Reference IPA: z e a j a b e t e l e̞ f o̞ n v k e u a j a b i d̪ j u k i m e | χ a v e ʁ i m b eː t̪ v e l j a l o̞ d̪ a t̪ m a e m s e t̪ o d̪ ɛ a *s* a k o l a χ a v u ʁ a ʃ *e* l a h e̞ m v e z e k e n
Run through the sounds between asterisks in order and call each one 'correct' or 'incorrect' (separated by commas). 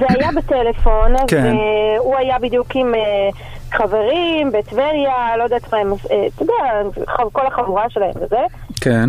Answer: incorrect, correct